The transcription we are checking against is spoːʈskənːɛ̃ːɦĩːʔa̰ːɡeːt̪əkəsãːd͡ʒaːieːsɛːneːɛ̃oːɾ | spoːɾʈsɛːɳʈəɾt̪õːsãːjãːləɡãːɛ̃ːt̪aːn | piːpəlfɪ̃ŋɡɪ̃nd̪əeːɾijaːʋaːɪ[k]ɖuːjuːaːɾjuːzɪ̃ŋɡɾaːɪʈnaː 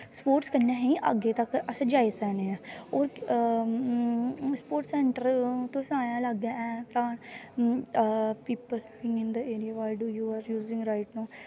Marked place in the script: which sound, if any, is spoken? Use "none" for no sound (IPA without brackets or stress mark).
none